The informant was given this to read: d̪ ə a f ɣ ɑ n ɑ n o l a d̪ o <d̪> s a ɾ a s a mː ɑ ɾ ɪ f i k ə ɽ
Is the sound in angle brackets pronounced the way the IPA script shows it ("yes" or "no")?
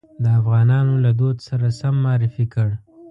yes